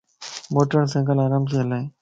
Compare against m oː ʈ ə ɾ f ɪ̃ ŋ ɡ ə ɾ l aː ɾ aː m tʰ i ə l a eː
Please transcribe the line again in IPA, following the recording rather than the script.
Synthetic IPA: m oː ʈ ə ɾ s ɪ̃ ŋ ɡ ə l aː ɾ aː m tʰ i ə l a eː

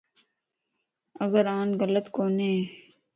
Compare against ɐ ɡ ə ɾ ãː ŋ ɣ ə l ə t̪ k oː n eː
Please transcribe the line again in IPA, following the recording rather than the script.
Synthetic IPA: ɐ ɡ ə ɾ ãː n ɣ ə l ə t̪ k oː n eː

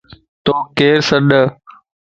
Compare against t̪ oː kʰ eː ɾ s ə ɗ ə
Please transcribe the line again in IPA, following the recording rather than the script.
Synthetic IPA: t̪ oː k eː ɾ s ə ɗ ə

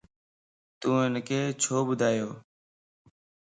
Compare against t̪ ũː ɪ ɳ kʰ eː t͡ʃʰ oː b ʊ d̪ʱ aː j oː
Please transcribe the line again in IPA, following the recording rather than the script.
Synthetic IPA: t̪ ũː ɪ n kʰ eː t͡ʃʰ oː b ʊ d̪ʱ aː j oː

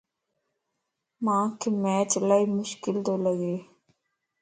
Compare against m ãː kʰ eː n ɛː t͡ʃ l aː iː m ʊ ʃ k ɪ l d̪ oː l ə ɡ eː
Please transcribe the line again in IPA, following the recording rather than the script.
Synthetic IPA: m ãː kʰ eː m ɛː t͡ʃ l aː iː m ʊ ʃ k ɪ l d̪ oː l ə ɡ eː

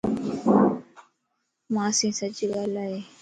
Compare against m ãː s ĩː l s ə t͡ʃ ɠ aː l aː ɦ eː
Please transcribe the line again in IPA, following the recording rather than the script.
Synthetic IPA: m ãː s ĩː s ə t͡ʃ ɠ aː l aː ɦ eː

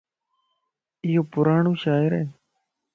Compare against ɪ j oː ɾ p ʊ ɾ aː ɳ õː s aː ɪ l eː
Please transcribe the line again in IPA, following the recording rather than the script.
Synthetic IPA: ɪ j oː p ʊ ɾ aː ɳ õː ʃ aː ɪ ɾ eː

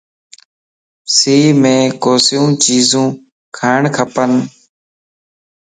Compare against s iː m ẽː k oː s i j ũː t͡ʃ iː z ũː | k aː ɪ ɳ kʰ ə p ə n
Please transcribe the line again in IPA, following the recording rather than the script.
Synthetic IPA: s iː m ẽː k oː s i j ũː t͡ʃ iː z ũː | kʰ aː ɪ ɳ kʰ ə p ə n

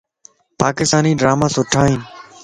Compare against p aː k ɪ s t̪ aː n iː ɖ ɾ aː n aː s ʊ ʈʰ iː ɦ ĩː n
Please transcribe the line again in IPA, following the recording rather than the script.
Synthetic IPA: p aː k ɪ s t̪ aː n iː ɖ ɾ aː m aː s ʊ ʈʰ aː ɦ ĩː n

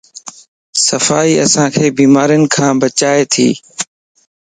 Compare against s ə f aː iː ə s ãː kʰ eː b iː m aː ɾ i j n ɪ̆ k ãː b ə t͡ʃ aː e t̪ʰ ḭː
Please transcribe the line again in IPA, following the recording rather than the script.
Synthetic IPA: s ə f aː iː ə s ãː kʰ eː b iː m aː ɾ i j n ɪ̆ kʰ ãː b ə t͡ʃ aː e t̪ʰ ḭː

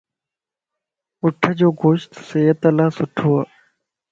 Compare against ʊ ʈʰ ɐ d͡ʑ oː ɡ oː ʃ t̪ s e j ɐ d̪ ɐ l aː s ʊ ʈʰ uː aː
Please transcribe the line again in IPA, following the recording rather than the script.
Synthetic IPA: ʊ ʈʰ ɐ d͡ʑ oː ɡ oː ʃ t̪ s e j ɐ t̪ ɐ l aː s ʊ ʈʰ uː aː

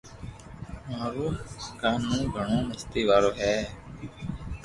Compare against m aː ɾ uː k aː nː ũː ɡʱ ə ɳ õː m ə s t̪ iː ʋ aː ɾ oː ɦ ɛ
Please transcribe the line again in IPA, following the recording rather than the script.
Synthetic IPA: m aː ɾ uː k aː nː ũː ɡʱ ə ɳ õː m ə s t̪ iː ʋ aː ɾ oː ɦ ɛː

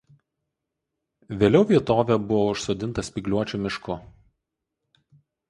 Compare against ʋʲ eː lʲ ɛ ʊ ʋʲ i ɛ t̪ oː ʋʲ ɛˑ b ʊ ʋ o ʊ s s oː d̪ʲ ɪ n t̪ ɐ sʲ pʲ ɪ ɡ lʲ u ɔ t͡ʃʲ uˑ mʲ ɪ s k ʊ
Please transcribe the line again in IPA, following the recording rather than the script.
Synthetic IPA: ʋʲ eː lʲ ɛ ʊ ʋʲ i ɛ t̪ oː ʋʲ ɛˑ b ʊ ʋ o ʊ ʃ s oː d̪ʲ ɪ n t̪ ɐ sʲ pʲ ɪ ɡ lʲ u ɔ t͡ʃʲ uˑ mʲ ɪ ʃ k ʊ

